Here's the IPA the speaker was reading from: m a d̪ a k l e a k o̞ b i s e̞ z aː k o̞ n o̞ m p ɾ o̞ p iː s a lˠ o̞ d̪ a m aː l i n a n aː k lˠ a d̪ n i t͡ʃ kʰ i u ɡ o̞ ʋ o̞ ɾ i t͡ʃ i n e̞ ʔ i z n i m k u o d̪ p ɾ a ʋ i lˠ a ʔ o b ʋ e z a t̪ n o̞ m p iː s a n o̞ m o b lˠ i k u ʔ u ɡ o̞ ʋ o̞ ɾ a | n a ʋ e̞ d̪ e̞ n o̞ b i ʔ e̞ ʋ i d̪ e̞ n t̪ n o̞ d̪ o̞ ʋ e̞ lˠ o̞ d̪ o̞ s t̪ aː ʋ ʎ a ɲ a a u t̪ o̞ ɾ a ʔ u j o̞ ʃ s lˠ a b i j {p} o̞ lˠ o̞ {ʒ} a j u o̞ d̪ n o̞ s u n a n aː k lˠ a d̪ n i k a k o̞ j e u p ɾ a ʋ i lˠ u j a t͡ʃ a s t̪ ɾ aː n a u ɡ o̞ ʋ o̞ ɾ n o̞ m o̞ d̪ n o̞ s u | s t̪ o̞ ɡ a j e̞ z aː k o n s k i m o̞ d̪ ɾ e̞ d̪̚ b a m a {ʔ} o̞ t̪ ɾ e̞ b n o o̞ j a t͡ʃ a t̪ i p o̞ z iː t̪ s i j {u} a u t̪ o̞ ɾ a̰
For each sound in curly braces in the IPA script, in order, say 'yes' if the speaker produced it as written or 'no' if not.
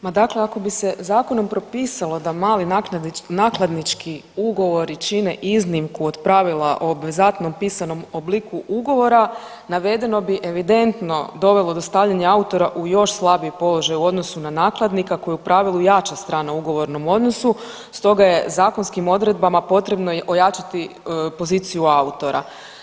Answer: yes, yes, no, yes

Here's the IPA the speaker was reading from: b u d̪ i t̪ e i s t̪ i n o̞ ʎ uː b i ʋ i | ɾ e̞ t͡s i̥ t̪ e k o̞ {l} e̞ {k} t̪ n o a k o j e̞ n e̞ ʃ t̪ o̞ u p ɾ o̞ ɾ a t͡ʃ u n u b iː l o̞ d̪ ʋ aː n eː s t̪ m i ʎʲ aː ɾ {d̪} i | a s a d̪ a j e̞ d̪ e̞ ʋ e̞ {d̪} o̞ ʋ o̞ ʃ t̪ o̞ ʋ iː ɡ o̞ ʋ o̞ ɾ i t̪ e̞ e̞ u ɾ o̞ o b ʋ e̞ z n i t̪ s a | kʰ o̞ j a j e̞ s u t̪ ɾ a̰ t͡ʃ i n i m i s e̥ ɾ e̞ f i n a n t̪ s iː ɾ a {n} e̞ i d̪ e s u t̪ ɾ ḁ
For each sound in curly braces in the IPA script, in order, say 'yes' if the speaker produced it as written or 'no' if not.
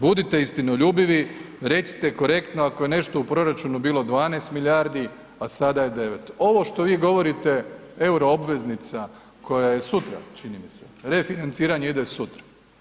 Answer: no, yes, yes, no, no

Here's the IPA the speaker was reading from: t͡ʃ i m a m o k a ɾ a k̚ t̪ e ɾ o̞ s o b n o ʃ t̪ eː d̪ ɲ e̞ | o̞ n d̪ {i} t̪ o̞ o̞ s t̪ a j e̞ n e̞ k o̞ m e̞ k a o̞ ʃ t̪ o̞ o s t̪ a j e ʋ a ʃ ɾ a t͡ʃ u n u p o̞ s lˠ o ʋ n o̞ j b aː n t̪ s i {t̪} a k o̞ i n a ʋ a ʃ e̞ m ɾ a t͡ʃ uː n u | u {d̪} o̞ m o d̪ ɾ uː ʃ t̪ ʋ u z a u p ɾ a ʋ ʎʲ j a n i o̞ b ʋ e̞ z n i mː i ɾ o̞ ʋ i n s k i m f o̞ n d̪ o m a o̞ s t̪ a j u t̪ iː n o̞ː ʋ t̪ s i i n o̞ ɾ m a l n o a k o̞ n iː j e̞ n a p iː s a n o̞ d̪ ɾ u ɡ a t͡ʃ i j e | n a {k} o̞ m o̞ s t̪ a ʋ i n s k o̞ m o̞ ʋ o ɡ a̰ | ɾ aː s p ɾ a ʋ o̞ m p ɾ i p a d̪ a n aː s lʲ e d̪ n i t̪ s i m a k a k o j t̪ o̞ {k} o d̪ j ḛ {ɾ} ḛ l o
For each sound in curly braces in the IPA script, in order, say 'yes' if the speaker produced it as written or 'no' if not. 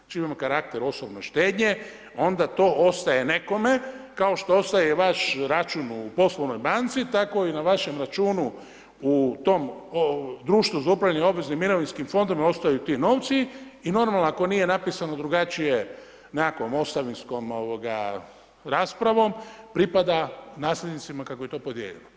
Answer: no, yes, no, yes, no, no

